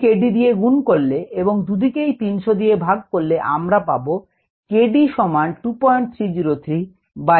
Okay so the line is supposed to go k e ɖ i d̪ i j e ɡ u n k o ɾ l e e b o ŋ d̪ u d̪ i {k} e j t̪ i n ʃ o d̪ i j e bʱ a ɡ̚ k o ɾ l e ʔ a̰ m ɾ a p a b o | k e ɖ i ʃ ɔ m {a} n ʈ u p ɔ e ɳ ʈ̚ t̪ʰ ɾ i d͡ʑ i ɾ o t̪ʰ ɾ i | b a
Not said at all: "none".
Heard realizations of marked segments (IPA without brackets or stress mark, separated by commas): k, a